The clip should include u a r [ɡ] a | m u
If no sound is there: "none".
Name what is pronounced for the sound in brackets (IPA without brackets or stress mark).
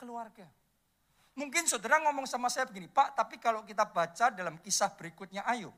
ɡ